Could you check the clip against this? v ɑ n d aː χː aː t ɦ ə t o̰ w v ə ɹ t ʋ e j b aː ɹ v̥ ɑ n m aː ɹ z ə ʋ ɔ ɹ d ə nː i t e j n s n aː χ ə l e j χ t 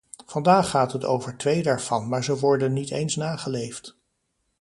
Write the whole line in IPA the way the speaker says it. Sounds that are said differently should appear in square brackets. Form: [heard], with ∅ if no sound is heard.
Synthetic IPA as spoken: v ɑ n d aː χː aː t ɦ ə t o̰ w v ə ɹ t ʋ e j [d] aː ɹ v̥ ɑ n m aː ɹ z ə ʋ ɔ ɹ d ə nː i t e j n s n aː χ ə l e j [f] t